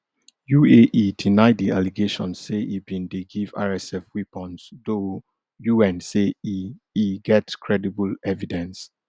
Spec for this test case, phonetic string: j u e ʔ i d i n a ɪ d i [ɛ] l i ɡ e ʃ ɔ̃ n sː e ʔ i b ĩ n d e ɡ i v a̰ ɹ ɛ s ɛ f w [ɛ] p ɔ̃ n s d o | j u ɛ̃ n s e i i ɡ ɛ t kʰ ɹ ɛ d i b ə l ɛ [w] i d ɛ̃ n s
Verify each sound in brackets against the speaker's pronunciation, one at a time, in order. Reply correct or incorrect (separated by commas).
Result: incorrect, incorrect, incorrect